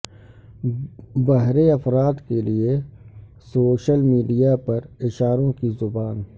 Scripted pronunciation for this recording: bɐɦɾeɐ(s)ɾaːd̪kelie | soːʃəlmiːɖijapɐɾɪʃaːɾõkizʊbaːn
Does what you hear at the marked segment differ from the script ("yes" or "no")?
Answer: yes